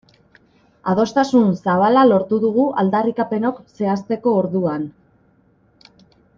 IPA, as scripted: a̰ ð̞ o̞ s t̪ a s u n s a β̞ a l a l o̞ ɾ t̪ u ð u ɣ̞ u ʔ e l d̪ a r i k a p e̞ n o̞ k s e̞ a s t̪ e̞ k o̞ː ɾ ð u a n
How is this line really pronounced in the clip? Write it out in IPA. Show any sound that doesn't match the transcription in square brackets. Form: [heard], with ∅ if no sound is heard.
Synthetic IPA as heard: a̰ ð̞ o̞ s t̪ a s u n s a β̞ a l a l o̞ ɾ t̪ u ð u ɣ̞ u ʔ [a] l d̪ a r i k a p e̞ n o̞ k s e̞ a s t̪ e̞ k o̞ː ɾ ð u a n